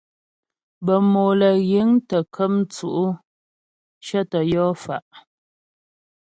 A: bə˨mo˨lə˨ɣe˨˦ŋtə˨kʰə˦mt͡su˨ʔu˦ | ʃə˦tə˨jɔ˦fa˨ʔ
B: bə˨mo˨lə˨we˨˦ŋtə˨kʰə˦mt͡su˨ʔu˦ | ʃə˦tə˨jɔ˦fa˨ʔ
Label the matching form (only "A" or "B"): A